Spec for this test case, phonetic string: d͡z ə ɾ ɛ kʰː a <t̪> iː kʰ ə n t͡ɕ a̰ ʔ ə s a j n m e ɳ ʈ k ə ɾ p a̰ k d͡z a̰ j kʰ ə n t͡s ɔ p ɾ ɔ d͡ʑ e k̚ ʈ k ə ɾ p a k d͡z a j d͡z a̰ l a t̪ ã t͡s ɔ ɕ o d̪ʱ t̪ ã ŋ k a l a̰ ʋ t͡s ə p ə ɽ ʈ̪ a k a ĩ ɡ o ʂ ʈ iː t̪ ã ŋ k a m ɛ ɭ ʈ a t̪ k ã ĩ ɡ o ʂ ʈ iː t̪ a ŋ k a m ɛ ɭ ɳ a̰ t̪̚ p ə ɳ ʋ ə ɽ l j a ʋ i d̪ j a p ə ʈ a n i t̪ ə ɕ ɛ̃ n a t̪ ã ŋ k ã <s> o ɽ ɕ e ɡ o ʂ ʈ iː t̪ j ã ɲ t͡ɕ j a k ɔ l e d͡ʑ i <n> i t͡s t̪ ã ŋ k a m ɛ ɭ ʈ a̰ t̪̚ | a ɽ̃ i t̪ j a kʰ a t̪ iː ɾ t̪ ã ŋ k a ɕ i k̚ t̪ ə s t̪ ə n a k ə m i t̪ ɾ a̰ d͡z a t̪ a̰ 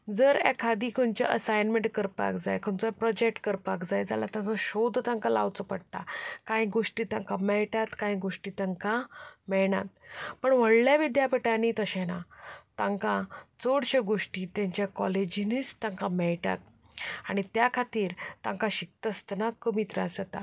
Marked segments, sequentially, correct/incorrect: incorrect: d̪, incorrect: t͡s, correct

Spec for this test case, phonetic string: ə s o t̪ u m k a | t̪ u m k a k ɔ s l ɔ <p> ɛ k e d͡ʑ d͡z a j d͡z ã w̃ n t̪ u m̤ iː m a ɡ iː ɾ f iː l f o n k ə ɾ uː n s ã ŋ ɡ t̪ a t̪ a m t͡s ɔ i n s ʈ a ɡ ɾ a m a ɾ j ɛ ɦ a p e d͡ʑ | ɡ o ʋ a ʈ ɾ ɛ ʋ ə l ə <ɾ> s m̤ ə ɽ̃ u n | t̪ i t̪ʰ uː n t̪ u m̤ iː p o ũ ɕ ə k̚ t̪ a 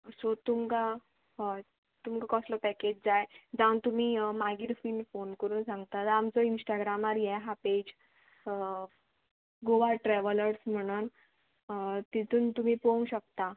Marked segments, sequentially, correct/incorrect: correct, correct

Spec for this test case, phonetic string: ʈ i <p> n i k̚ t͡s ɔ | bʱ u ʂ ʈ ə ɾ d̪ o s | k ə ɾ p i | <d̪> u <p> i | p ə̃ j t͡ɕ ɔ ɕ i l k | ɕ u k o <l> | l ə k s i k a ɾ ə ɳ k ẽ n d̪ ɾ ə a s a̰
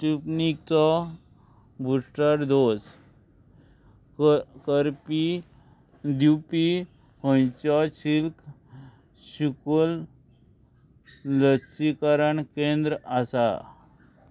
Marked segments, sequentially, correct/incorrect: correct, correct, correct, correct

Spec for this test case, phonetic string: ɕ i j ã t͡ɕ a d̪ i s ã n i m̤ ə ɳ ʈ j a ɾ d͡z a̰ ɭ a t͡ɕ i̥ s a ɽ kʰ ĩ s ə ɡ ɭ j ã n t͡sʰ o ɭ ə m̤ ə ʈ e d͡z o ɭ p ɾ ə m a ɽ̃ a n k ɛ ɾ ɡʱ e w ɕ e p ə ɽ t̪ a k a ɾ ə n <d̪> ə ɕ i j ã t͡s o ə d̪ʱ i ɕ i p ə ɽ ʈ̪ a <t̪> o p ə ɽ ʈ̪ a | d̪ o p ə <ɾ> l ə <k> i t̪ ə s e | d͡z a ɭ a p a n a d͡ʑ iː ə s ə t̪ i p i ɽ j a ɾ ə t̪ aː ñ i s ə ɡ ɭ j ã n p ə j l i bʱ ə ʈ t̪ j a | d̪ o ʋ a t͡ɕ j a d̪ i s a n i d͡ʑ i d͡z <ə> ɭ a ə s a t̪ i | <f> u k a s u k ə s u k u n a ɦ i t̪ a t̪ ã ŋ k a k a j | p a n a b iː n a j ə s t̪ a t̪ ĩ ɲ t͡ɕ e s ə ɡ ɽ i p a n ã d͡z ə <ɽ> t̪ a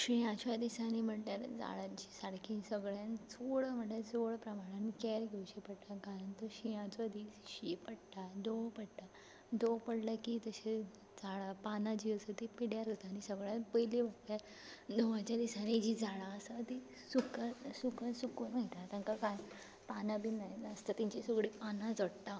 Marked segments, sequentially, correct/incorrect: incorrect: t̪, incorrect: d̪, incorrect: ɽ, correct, incorrect: a, incorrect: s, correct

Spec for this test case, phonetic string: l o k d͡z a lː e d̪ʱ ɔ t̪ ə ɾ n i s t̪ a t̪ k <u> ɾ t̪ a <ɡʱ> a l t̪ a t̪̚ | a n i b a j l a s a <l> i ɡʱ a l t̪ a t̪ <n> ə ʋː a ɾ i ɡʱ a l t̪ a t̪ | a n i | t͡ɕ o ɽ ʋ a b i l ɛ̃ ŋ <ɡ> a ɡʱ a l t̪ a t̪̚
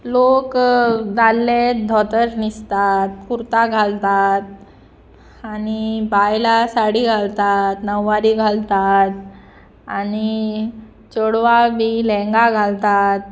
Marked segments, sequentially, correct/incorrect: correct, correct, incorrect: ɽ, correct, correct

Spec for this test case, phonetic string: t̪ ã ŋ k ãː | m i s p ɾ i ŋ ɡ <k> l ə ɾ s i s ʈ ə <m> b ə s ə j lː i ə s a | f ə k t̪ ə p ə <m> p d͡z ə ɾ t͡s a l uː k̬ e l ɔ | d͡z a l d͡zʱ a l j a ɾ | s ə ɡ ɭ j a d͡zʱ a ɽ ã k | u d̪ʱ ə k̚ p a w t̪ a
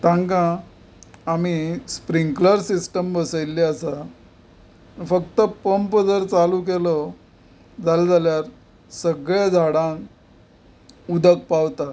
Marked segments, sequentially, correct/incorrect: correct, correct, correct

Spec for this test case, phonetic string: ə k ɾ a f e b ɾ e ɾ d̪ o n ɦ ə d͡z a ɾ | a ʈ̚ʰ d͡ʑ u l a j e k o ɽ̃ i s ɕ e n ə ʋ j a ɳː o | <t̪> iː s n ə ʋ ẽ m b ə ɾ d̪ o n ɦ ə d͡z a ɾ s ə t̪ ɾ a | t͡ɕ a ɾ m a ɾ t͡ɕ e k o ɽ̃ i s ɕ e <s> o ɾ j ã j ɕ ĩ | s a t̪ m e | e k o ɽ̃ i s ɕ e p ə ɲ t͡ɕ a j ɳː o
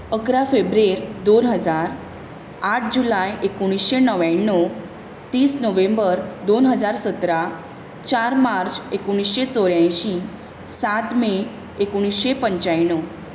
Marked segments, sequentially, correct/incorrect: correct, incorrect: t͡s

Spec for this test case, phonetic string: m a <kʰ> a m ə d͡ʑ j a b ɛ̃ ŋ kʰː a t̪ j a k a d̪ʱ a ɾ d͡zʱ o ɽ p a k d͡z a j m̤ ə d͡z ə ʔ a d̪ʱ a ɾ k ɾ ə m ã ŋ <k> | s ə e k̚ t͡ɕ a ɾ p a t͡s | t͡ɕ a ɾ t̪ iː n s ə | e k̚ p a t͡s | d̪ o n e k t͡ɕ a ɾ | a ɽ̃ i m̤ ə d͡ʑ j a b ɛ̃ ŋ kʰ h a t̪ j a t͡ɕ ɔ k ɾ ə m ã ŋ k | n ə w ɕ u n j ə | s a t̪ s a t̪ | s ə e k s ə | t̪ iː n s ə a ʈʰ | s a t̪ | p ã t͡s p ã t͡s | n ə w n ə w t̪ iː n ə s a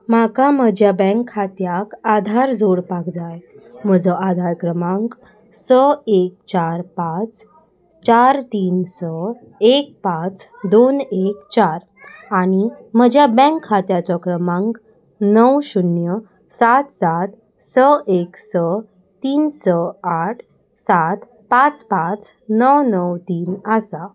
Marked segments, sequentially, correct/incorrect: incorrect: k, correct

